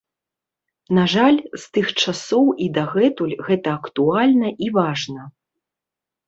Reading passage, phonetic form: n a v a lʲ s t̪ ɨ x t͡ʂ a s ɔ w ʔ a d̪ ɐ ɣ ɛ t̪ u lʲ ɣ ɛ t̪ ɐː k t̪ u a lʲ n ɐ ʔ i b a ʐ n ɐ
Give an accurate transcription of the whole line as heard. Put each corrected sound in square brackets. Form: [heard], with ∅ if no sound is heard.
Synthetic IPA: n a [ʐ] a lʲ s t̪ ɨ x t͡ʂ a s ɔ w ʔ [i] d̪ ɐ ɣ ɛ t̪ u lʲ ɣ ɛ t̪ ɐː k t̪ u a lʲ n ɐ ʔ i [v] a ʐ n ɐ